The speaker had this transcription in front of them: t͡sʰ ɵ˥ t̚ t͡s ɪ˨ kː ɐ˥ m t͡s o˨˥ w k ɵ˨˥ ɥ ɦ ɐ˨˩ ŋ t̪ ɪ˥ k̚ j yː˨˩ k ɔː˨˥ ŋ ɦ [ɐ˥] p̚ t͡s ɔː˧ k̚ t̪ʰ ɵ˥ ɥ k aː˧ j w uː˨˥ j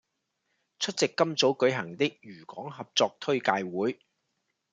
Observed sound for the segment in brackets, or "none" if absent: ɐ˨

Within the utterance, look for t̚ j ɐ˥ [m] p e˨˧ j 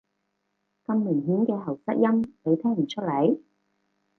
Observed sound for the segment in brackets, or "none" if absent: m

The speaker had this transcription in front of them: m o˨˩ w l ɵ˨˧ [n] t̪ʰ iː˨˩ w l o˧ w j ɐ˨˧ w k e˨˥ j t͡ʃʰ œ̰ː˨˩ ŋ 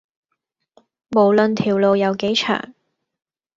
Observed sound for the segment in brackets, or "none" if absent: n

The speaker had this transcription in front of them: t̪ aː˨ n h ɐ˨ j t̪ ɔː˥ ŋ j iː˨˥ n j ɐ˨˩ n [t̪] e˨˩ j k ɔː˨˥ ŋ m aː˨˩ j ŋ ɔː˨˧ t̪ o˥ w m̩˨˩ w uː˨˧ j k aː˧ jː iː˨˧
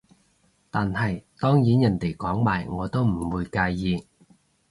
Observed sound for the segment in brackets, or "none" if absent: t̪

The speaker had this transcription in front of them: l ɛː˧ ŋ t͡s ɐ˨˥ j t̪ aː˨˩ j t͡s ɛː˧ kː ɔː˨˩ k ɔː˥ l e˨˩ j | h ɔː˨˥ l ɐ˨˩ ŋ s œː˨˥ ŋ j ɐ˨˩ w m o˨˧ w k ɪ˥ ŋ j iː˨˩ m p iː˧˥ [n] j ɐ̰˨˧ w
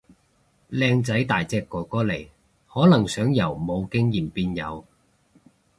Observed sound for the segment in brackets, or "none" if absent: n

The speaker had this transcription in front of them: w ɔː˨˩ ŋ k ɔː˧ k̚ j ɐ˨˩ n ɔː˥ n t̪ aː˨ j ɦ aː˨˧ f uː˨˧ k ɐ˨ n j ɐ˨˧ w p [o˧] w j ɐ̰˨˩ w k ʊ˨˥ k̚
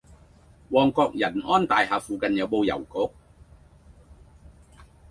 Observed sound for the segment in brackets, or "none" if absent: o˧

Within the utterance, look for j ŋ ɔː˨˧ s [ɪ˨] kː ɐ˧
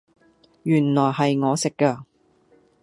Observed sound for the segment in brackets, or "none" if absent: ɪ˨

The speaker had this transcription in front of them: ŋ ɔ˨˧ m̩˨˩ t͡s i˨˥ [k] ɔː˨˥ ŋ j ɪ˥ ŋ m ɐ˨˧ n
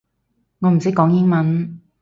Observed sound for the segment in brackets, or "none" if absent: k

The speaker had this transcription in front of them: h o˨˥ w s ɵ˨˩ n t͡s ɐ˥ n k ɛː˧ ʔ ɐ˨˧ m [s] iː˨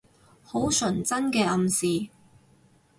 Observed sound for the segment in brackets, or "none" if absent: s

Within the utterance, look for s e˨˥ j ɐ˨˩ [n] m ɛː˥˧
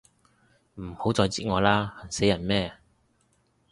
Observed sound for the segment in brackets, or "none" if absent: n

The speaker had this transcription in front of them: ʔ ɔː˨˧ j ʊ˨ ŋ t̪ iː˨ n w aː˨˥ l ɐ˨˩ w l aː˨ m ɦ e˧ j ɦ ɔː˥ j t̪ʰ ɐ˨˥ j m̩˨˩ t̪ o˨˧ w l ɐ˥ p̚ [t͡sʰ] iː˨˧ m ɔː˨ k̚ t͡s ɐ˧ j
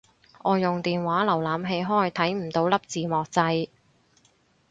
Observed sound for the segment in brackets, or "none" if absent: t͡s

